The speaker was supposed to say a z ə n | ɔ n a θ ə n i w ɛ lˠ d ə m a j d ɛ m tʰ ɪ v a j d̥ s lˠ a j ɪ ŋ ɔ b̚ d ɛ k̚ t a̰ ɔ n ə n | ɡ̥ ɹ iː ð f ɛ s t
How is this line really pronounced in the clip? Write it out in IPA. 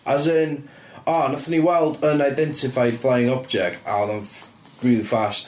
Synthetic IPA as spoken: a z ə n | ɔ n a θ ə n i w ɛ lˠ d ə n a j d ɛ n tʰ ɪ f a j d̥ f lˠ a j ɪ ŋ ɔ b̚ d͡ʒ ɛ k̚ t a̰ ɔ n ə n | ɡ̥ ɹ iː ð f a s t